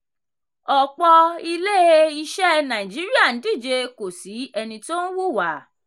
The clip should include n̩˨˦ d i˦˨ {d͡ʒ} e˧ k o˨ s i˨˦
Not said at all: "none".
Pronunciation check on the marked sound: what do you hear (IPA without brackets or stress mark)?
d͡ʒ